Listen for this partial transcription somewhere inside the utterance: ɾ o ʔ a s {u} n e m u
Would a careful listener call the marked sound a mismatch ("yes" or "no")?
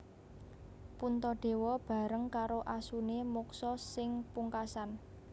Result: no